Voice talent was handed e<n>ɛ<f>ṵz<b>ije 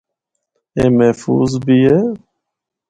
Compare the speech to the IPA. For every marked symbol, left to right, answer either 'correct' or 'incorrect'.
incorrect, correct, correct

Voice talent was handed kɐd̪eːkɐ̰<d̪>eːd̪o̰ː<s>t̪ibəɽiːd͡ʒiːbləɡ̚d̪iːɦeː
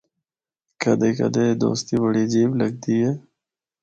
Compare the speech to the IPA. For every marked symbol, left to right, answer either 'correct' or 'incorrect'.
correct, correct

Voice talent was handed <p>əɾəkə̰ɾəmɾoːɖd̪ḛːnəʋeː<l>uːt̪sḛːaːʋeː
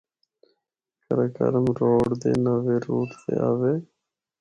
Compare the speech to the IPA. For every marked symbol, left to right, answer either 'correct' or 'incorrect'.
incorrect, incorrect

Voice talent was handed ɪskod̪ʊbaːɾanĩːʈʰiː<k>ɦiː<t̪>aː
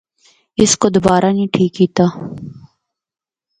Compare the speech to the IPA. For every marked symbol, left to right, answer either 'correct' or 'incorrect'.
correct, correct

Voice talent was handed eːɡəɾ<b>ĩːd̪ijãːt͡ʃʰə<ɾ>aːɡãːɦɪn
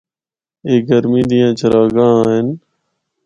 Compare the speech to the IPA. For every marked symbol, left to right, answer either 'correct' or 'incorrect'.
incorrect, correct

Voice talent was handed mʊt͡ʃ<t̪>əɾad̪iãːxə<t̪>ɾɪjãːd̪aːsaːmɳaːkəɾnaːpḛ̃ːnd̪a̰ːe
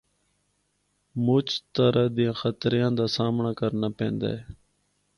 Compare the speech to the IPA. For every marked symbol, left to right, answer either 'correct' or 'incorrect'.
correct, correct

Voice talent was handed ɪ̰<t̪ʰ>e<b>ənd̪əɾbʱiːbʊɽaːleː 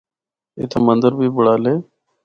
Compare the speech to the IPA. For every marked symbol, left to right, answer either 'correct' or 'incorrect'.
correct, incorrect

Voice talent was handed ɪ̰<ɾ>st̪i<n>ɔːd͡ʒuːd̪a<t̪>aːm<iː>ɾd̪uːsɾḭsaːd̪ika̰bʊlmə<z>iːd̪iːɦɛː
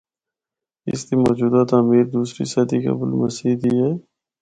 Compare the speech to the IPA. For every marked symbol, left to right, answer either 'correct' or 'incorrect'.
incorrect, incorrect, correct, correct, incorrect

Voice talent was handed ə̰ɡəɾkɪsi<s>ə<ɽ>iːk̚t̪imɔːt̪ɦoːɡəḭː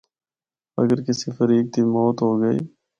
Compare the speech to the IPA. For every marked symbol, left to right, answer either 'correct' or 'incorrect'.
incorrect, incorrect

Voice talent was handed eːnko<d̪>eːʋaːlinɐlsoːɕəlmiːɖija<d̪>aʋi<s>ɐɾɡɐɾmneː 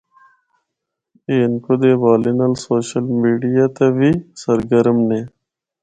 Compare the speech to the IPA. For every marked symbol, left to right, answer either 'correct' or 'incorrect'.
correct, incorrect, correct

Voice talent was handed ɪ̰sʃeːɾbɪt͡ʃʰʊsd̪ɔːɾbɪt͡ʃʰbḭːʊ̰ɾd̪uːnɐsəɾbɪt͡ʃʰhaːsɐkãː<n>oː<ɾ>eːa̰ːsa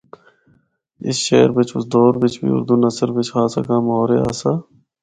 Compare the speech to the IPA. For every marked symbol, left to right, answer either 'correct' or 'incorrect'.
incorrect, correct

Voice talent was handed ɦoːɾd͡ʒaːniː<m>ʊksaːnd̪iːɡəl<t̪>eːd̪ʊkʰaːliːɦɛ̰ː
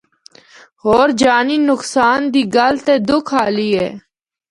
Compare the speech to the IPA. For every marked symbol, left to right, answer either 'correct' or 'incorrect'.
incorrect, correct

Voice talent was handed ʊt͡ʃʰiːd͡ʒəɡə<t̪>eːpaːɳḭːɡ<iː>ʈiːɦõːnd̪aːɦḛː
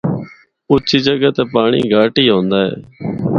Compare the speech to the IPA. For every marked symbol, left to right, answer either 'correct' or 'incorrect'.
correct, incorrect

